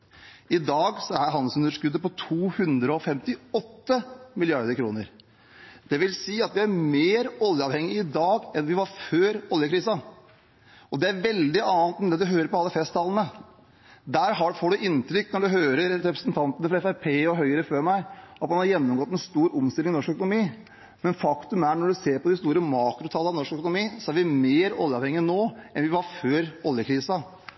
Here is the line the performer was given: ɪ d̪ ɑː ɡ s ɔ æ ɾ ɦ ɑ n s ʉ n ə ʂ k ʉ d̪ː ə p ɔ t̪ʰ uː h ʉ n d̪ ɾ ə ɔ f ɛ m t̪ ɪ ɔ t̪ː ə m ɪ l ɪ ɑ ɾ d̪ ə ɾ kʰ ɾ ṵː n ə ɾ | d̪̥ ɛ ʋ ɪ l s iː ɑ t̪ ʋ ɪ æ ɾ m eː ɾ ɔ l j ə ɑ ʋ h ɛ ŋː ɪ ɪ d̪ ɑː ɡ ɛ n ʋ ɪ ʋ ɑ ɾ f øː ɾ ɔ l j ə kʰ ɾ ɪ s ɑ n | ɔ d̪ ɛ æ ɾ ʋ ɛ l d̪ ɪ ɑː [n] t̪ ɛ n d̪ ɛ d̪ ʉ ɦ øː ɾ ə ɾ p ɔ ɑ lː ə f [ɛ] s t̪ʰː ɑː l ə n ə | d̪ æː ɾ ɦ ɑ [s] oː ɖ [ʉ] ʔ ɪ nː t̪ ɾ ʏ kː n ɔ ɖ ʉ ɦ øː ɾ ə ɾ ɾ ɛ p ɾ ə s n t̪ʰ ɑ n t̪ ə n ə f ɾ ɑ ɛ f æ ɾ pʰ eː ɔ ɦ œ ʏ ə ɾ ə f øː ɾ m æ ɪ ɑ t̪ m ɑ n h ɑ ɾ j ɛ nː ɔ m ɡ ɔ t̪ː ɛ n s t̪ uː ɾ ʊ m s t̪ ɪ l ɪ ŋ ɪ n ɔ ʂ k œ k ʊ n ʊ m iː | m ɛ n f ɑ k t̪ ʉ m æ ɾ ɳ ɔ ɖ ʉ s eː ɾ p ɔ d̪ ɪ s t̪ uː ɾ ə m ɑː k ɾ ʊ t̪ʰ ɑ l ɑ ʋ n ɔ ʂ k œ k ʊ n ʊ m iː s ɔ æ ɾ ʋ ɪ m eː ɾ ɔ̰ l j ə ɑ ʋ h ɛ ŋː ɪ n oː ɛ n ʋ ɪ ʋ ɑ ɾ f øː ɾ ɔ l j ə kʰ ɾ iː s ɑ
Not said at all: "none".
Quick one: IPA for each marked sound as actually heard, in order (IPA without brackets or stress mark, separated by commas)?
n, ɛ, f, ʉ